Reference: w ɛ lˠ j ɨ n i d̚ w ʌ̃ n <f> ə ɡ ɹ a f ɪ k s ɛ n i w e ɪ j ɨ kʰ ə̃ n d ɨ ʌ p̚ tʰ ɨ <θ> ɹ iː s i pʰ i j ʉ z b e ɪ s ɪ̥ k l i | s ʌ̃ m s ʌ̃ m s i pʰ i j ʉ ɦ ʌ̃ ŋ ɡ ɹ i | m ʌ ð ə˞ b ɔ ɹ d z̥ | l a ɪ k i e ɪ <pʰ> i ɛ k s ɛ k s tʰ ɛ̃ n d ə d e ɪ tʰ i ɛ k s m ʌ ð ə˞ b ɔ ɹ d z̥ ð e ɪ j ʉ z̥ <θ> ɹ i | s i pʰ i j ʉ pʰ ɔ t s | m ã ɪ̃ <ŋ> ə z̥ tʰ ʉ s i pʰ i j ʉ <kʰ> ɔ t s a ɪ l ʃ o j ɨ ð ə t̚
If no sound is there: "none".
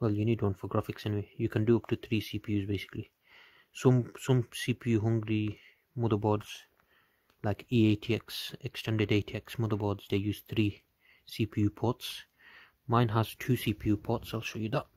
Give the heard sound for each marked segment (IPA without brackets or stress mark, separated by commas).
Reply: f, θ, tʰ, θ, n, pʰ